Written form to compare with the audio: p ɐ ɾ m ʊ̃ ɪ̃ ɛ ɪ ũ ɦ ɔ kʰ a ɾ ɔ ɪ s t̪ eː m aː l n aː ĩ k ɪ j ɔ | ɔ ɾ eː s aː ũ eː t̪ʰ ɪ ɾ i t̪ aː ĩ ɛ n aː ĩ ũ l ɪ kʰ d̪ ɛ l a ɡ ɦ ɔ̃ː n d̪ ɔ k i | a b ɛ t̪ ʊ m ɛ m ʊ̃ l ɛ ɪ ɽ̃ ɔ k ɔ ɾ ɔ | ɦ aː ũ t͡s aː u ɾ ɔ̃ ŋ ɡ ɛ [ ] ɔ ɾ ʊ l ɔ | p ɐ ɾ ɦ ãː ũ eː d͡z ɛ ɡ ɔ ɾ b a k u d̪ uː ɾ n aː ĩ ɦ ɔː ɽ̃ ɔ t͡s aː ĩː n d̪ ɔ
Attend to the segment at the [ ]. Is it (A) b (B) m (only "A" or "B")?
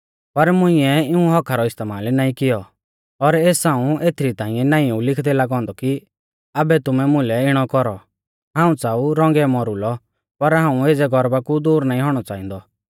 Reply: B